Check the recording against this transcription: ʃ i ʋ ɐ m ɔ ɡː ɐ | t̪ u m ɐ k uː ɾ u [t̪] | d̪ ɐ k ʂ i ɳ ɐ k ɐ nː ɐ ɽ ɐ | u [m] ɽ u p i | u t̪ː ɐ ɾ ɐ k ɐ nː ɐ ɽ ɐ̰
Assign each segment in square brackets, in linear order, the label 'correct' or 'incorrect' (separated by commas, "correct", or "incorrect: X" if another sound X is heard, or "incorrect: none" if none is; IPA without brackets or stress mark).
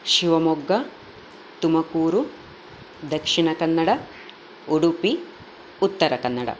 incorrect: none, incorrect: none